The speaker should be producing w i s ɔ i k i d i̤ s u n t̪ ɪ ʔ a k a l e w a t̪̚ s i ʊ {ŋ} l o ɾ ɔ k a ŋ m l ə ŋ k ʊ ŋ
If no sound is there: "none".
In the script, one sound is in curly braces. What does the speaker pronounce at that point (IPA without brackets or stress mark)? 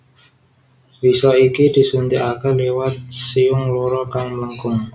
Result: ŋ